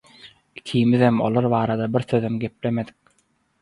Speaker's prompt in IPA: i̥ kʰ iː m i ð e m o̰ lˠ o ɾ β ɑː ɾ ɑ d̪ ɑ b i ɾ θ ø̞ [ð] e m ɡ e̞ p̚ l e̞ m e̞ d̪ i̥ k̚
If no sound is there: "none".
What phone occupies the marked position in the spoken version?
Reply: ð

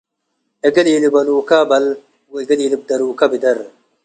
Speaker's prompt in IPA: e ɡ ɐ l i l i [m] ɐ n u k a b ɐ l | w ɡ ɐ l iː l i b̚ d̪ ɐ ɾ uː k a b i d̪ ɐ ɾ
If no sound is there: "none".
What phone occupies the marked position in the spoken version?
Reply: b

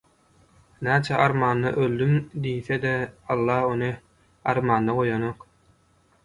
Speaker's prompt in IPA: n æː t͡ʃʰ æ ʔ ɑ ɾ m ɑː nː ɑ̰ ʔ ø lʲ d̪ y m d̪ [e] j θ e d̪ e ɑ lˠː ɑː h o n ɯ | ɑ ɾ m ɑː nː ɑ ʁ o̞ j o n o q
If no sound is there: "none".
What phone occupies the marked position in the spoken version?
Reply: i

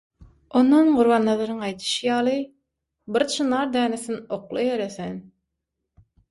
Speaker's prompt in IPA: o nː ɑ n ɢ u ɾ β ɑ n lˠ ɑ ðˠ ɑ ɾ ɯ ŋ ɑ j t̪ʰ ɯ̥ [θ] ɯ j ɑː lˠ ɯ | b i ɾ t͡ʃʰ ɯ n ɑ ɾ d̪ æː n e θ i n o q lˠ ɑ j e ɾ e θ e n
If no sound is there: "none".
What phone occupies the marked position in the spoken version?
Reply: ʃ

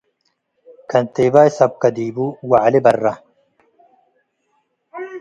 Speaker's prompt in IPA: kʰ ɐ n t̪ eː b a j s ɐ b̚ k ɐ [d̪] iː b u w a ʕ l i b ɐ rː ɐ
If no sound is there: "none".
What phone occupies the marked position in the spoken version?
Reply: d̪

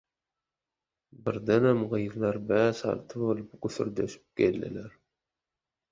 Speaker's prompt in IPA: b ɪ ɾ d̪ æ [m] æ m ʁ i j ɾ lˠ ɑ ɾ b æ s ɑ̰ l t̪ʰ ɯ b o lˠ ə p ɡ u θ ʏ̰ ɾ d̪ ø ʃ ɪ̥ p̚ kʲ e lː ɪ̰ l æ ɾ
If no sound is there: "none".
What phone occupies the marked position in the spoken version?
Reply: n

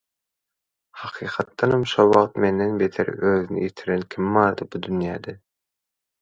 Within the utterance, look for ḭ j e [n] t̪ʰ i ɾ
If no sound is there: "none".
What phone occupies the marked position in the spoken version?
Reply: none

